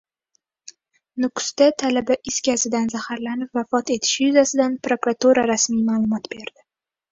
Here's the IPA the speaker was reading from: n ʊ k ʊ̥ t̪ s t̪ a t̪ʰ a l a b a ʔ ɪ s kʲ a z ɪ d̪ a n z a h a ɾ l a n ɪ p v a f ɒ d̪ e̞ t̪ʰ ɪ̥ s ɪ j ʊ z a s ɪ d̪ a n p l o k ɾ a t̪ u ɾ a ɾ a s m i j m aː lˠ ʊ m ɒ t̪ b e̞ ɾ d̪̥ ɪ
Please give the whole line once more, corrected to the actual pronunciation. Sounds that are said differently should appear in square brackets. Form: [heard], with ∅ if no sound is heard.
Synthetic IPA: n ʊ k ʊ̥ [∅] s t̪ a t̪ʰ a l a b a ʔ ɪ s kʲ a z ɪ d̪ a n z a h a ɾ l a n ɪ p v a f ɒ [t̪] e̞ t̪ʰ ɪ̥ [ʃ] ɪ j ʊ z a s ɪ d̪ a n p [ɾ] o k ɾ a t̪ u ɾ a ɾ a s m i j m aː lˠ ʊ m ɒ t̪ b e̞ ɾ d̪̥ ɪ